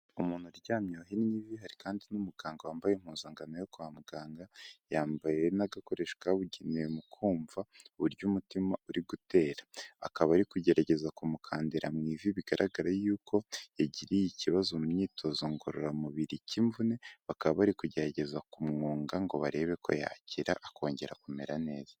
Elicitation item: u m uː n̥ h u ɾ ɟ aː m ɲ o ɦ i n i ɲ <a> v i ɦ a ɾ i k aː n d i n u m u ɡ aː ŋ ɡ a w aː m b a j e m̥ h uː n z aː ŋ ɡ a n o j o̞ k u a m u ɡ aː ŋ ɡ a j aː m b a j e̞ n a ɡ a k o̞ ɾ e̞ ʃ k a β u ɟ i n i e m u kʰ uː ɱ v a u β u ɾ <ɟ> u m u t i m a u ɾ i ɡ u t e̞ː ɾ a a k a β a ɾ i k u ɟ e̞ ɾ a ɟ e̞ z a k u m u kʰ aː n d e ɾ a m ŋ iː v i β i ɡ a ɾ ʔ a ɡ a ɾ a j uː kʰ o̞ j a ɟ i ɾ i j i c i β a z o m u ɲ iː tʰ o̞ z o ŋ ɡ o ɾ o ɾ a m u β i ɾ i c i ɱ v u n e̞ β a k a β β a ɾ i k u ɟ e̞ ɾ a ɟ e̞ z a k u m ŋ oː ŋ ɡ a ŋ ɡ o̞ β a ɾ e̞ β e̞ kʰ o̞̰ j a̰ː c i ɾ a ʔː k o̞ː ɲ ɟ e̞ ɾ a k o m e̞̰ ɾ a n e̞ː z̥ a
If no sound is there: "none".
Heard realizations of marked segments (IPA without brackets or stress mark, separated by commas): i, ɟ